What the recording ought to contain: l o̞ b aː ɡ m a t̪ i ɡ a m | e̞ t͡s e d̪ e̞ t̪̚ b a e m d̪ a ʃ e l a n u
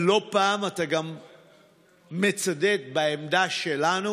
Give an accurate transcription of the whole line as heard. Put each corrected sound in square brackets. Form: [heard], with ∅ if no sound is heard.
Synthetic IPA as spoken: l o̞ [p] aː [∅] m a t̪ [a] ɡ a m | e̞ t͡s [a] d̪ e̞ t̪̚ b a e m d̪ a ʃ e l a n u

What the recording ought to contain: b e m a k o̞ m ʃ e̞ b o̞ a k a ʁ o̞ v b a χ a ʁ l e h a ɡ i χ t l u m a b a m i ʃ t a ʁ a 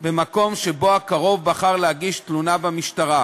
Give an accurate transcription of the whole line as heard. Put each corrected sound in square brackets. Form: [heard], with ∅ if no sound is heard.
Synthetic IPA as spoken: b e m a k o̞ m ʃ e̞ b o̞ a k a ʁ o̞ v b a χ a ʁ l e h a ɡ i [ʃ] t l u [n] a b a m i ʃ t a ʁ a

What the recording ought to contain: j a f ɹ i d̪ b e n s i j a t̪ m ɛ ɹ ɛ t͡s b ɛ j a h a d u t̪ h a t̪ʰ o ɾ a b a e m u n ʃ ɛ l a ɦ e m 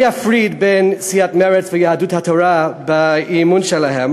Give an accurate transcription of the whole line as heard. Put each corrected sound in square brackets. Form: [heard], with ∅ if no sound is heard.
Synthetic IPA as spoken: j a f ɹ i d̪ b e n s i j a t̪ m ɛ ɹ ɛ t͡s [v] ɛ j a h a d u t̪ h a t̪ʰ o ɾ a b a [i] m u n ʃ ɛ l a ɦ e m

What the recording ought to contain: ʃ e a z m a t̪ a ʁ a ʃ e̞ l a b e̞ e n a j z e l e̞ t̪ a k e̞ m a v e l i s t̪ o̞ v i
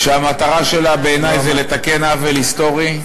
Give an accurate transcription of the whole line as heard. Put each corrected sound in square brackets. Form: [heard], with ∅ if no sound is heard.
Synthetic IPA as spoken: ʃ e a [∅] m a t̪ a ʁ a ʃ e̞ l a b e̞ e n a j z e l e̞ t̪ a k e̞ [n] a v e l i s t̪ o̞ [ʁ] i

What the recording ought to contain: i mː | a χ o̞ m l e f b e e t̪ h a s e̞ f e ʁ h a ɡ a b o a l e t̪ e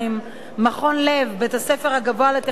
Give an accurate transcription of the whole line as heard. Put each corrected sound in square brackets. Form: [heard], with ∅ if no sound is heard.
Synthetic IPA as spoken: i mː | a χ o̞ [n] l e [v] b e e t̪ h a s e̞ f e ʁ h a ɡ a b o a l e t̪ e

